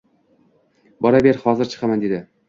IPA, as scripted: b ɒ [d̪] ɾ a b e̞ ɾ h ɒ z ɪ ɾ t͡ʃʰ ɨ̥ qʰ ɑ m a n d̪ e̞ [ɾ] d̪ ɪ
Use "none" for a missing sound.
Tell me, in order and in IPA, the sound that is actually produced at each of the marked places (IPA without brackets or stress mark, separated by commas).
none, none